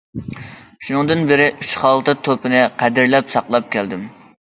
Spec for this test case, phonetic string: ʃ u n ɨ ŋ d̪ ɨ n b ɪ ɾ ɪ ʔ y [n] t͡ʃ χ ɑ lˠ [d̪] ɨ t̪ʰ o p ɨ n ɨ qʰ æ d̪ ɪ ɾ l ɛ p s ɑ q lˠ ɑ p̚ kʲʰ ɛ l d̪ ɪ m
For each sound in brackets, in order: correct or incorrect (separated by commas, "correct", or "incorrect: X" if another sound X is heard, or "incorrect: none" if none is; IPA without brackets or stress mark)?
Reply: incorrect: none, incorrect: t̪